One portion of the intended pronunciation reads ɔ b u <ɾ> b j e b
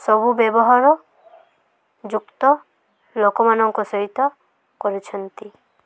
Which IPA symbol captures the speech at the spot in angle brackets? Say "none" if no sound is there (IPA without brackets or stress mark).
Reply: none